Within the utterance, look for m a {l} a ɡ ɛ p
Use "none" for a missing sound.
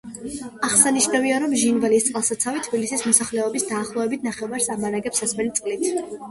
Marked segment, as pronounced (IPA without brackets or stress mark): ɾ